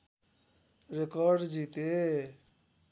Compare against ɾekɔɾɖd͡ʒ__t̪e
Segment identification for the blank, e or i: i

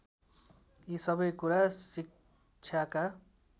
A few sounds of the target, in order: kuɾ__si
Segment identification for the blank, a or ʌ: a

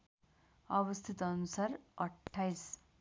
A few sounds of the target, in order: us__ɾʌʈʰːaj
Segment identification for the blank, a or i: a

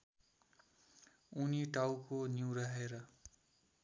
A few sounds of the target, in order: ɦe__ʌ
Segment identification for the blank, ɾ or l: ɾ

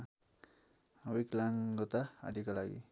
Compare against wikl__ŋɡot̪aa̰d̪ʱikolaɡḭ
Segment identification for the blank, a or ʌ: a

